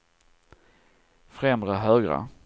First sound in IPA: f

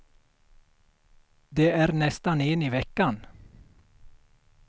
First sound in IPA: d̪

